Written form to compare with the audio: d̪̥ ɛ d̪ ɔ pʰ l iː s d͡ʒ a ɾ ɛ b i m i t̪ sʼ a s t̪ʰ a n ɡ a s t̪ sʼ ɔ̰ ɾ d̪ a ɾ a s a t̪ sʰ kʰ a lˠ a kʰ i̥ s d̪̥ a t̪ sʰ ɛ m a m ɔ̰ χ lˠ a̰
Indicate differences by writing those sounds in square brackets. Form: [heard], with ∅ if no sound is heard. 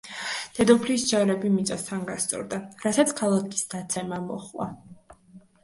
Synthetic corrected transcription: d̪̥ ɛ d̪ ɔ pʰ l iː s d͡ʒ a ɾ ɛ b i m i t̪ sʼ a s t̪ʰ a n ɡ a s t̪ sʼ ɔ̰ ɾ d̪ a ɾ a s a t̪ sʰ kʰ a lˠ a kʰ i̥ s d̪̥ a t̪ sʰ ɛ m a m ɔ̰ χ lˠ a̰